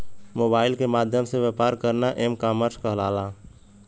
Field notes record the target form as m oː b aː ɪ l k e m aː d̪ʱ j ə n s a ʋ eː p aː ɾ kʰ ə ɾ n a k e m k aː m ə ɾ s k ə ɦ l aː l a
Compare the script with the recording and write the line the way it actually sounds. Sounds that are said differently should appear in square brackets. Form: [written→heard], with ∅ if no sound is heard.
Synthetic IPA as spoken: m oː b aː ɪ l k e m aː d̪ʱ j ə [n→m] s [a→e] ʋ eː p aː ɾ [kʰ→k] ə ɾ n a [k→ʔ] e m k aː m ə ɾ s k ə ɦ l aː l a